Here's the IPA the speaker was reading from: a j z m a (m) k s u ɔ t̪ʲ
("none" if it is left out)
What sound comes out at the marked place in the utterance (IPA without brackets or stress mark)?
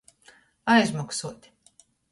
none